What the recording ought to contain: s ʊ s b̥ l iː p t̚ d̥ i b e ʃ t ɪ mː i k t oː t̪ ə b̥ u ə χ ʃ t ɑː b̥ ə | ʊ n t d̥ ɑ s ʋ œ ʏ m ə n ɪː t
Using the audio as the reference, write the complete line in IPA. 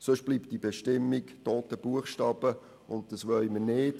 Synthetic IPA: s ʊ ʃ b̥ l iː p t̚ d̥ i b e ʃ t ɪ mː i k t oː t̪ ə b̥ u ə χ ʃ t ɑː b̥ ə | ʊ n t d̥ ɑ s ʋ œ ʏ m ə n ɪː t